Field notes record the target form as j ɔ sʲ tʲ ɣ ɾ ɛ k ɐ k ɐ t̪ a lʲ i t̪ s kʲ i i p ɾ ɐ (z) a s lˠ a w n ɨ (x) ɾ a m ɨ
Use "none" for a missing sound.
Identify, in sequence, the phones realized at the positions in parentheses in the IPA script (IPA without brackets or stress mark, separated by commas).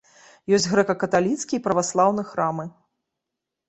v, x